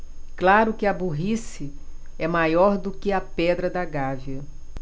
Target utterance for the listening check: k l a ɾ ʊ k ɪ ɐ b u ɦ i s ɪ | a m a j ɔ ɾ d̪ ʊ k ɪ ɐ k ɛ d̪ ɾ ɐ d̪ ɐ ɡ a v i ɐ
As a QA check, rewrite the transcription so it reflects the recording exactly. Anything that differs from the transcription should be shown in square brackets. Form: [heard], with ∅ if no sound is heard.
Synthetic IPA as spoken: k l a ɾ ʊ k ɪ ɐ b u ɦ i s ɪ | [ɛ] m a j ɔ ɾ d̪ ʊ k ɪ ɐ [p] ɛ d̪ ɾ ɐ d̪ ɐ ɡ a v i ɐ